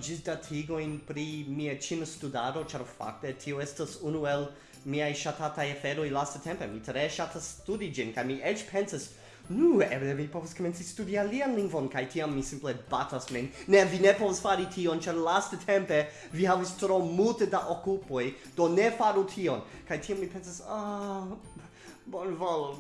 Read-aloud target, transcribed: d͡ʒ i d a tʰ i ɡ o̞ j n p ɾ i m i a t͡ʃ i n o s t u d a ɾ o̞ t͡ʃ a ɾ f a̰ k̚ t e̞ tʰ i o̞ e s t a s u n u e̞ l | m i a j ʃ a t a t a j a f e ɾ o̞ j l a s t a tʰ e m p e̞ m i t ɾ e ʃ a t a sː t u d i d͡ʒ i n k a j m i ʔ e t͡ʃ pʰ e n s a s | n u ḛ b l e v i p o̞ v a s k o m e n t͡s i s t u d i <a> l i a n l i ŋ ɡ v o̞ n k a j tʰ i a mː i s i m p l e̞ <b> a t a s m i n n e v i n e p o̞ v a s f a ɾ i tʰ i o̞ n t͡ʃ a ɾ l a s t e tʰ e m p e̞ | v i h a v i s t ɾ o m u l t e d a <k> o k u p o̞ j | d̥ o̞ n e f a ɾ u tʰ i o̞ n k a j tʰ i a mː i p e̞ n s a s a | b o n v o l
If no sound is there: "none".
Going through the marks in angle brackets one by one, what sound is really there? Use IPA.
a, b, ʔ

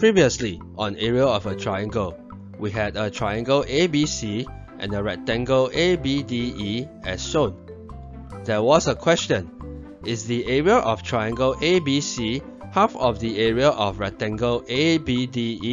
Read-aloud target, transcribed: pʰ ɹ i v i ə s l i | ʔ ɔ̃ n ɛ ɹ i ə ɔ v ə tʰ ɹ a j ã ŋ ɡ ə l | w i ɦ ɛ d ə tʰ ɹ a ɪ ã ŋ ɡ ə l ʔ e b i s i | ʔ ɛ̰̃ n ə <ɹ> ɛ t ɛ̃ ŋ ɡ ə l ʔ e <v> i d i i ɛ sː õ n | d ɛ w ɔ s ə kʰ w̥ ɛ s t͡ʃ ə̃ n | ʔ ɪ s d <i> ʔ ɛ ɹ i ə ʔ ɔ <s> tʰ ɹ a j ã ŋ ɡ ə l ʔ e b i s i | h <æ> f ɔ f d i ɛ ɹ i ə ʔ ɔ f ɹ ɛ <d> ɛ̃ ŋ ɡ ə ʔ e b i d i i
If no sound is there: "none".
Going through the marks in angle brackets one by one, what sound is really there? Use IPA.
ɹ, b, i, f, a, t

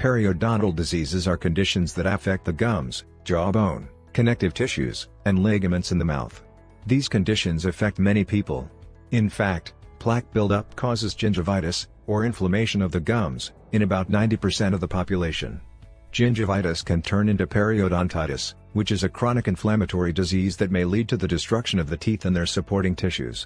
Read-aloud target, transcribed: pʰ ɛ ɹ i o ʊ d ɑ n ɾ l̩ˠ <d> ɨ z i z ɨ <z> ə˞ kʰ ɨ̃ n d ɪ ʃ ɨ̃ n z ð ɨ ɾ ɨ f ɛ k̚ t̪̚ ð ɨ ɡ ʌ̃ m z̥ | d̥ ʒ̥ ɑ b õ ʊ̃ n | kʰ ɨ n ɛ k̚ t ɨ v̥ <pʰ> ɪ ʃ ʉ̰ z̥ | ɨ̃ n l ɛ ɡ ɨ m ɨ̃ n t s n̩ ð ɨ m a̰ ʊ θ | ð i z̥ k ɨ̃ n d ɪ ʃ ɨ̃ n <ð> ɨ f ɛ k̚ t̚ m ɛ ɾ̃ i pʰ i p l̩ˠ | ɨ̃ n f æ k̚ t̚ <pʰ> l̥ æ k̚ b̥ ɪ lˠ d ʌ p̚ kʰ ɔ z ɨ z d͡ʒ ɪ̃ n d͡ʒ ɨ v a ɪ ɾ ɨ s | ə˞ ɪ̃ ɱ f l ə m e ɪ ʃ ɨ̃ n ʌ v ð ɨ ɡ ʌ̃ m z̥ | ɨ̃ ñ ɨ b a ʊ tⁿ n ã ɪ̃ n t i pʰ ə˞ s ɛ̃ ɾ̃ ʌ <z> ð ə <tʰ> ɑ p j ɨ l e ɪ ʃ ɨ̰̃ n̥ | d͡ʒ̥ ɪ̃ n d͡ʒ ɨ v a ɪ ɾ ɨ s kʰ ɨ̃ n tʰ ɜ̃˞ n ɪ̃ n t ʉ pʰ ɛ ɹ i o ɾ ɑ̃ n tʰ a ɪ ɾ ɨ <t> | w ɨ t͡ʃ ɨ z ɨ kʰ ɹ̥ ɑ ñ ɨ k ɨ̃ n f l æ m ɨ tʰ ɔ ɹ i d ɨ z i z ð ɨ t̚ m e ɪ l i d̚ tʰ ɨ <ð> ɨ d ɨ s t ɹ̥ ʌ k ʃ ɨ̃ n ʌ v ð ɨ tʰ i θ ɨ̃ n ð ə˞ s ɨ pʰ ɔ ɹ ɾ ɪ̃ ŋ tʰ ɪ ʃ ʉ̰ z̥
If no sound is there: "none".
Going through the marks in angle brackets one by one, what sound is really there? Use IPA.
d, z, tʰ, z, pʰ, v, pʰ, s, ð

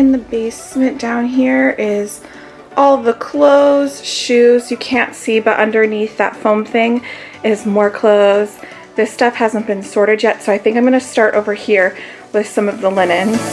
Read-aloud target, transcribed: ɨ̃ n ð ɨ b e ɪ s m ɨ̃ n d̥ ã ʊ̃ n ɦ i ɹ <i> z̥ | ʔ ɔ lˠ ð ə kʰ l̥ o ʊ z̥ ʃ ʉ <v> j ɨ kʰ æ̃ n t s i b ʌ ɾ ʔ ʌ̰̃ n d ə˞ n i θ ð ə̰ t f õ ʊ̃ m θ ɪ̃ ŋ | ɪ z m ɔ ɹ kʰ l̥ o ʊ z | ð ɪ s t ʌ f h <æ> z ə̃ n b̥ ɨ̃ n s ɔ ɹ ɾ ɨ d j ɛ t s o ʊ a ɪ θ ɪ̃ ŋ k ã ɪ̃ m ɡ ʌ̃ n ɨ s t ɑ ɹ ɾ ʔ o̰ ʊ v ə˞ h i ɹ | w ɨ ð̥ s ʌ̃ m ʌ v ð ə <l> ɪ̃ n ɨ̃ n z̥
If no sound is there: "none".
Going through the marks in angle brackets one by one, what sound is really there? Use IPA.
ɪ, z, æ, l

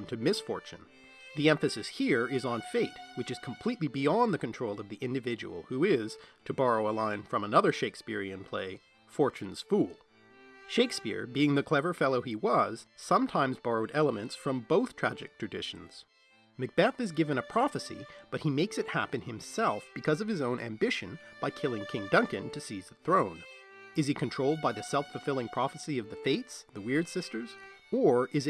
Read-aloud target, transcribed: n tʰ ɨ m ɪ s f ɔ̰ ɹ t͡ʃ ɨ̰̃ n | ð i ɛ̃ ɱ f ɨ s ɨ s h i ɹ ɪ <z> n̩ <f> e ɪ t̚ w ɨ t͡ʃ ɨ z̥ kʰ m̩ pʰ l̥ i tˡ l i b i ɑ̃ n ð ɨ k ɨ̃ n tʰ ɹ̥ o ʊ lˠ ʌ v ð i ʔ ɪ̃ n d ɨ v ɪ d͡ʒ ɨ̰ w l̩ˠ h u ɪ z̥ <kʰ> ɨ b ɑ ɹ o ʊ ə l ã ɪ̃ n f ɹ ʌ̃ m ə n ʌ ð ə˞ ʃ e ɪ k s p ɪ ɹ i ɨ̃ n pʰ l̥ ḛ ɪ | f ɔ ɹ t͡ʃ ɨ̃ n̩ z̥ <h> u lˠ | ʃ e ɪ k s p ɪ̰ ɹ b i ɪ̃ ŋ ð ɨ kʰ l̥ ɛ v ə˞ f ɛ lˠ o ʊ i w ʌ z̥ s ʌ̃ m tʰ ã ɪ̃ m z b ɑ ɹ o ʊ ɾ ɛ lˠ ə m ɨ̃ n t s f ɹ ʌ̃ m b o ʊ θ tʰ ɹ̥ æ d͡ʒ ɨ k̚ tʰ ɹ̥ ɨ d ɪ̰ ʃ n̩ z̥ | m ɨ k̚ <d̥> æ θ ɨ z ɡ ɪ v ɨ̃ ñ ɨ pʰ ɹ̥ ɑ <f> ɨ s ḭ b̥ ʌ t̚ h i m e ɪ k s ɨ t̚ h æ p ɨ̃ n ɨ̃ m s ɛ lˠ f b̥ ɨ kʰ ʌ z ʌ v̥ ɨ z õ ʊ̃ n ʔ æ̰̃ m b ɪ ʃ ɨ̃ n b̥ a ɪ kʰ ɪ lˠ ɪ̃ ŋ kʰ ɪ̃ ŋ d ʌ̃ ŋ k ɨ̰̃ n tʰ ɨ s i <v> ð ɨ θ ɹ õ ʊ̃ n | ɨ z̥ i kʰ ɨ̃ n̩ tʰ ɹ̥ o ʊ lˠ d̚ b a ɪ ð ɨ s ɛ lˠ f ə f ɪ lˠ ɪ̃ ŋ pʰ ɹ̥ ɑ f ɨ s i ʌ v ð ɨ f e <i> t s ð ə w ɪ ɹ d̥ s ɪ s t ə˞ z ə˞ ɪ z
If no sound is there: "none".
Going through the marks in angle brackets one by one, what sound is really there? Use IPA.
z, f, tʰ, f, b̥, f, z, ɪ

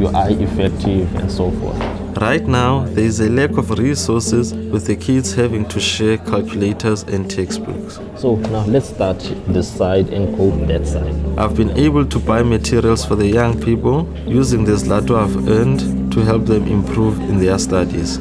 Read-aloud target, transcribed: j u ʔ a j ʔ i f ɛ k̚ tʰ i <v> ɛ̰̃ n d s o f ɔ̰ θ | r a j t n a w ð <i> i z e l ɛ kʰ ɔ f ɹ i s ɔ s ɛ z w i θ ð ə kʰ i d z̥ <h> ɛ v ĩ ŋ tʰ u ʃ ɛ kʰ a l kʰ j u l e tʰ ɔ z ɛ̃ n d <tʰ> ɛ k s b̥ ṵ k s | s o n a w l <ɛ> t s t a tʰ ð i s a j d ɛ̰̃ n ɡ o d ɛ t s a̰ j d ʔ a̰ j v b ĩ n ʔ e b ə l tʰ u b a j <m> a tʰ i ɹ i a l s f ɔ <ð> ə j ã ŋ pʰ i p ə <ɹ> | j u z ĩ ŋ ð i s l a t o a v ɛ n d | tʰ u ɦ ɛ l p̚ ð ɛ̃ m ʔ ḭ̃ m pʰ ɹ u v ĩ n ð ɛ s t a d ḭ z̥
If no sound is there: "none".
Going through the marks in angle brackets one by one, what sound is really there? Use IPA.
v, ɛ, h, tʰ, ɛ, m, ð, l

